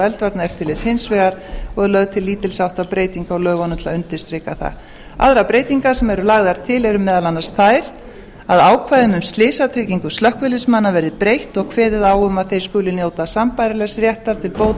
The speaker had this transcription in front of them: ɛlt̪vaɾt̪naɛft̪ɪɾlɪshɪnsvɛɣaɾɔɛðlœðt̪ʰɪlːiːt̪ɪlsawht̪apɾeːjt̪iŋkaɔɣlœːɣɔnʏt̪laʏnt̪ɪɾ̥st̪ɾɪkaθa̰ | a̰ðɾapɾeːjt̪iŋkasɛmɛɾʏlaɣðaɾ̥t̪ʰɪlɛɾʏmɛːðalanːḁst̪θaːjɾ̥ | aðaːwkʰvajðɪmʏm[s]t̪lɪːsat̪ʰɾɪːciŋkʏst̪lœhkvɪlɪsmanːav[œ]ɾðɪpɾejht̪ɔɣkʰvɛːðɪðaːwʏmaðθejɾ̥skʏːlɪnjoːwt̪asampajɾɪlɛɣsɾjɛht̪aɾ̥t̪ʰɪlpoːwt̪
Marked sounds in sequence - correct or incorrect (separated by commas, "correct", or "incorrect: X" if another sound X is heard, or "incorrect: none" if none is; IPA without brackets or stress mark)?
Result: correct, incorrect: ɛ